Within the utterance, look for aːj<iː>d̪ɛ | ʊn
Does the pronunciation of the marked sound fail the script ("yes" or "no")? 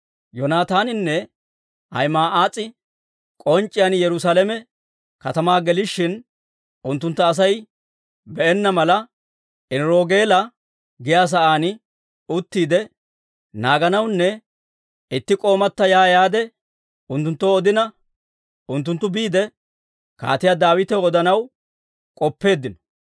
yes